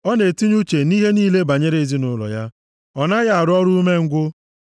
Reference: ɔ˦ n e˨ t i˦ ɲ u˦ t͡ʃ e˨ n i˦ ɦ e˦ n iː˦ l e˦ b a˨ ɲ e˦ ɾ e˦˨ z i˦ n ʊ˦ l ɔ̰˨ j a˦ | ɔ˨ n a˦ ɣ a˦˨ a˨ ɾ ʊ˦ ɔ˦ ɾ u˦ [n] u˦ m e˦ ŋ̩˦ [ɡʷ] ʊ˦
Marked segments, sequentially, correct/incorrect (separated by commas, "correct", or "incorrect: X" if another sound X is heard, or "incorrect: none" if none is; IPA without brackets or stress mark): incorrect: none, correct